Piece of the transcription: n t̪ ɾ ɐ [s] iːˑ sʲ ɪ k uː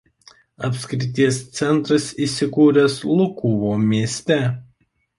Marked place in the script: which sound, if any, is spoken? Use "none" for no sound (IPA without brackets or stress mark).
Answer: s